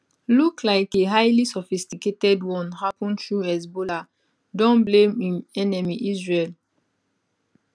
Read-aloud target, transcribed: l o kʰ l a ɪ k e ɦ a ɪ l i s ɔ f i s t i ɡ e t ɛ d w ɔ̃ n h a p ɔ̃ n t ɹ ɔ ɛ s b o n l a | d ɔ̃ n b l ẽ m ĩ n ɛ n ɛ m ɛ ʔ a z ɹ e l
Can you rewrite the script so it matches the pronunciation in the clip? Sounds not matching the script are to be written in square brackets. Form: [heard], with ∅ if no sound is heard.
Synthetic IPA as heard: l [u] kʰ l a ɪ k e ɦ a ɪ l i s ɔ f i s t i [k] e t ɛ d w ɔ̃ n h a p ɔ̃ n t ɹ [u] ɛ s b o [∅] l a | d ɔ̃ n b l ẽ m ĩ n ɛ n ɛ m [i] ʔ [i] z ɹ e l